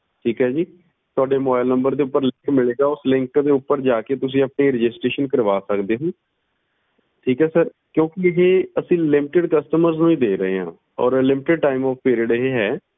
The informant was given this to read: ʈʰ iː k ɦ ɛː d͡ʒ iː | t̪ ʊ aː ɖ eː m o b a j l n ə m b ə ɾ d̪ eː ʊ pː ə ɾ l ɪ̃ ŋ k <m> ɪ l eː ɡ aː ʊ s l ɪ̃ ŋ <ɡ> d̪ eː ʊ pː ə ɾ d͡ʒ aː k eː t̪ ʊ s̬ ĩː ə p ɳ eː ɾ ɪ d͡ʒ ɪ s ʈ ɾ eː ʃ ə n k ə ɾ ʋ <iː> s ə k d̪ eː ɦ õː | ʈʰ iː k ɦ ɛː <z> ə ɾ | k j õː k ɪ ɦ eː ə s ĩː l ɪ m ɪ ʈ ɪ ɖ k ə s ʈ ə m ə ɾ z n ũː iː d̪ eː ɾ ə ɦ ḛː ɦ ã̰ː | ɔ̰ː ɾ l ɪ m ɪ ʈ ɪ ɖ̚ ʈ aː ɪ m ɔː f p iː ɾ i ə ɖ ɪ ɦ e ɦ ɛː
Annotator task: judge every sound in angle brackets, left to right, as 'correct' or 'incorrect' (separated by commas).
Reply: correct, incorrect, incorrect, incorrect